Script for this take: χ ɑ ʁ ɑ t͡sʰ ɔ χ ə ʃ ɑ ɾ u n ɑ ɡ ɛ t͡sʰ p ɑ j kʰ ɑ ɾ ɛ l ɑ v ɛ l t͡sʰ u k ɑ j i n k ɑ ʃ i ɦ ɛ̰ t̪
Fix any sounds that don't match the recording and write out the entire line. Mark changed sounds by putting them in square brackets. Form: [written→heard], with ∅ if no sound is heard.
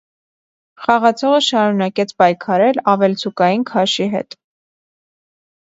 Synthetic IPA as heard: χ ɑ ʁ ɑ t͡sʰ ɔ [χ→ʁ] ə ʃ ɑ ɾ u n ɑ [ɡ→k] ɛ t͡sʰ p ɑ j kʰ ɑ ɾ ɛ l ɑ v ɛ l t͡sʰ u k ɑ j i n [k→kʰ] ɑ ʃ i ɦ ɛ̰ t̪